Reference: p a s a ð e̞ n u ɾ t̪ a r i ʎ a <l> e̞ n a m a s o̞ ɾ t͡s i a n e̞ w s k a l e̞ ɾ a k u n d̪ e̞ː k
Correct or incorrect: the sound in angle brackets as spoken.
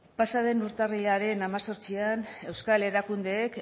incorrect: ɾ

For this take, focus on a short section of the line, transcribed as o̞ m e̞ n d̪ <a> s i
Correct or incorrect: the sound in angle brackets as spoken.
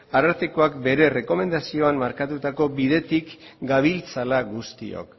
correct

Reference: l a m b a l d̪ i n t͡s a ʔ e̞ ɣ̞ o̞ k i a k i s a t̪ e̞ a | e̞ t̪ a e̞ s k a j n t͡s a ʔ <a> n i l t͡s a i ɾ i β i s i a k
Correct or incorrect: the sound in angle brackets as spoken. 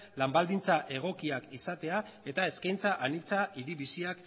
correct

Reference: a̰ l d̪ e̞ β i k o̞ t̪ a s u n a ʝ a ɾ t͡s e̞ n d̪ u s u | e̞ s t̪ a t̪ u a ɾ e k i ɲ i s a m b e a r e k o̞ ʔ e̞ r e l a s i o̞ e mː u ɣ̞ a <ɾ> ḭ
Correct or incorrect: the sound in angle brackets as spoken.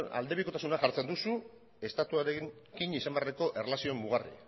incorrect: r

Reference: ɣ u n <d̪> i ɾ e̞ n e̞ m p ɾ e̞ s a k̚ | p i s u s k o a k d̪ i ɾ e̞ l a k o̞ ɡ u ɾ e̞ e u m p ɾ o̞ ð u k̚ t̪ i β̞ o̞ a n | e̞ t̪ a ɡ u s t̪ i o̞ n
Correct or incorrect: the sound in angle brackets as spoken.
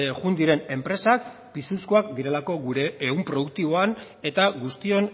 correct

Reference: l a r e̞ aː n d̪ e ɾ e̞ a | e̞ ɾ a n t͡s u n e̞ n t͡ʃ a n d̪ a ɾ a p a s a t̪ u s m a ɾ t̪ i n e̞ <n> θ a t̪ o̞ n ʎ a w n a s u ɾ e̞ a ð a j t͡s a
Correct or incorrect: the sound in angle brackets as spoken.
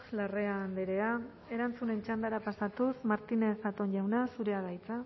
incorrect: none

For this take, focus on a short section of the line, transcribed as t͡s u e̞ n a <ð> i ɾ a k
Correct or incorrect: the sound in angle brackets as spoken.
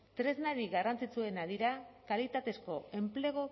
correct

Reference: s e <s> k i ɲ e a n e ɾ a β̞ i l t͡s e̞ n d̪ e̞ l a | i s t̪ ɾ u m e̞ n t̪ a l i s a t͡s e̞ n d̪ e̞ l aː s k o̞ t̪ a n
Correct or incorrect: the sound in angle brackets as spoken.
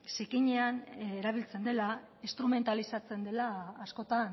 incorrect: none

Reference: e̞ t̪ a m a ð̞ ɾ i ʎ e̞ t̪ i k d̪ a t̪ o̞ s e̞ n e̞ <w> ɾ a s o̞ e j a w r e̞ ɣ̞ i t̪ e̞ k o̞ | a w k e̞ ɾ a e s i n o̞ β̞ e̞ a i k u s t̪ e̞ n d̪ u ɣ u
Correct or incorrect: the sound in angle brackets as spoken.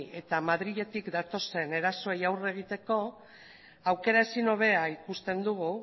incorrect: none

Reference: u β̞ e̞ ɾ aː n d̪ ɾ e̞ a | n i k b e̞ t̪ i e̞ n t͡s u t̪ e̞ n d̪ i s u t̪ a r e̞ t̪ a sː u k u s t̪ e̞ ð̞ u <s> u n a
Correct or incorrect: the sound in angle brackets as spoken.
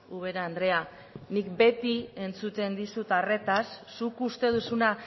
correct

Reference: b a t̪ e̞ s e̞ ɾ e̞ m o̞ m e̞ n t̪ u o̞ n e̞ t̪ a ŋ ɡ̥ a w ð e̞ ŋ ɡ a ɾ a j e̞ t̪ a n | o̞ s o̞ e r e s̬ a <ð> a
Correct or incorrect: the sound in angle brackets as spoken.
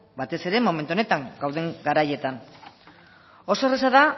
correct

